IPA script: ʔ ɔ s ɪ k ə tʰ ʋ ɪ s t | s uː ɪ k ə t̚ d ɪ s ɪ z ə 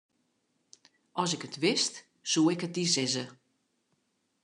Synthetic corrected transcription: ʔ ɔ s ɪ k ə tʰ ʋ ɪ s t | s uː ɪ k ə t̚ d i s ɪ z ə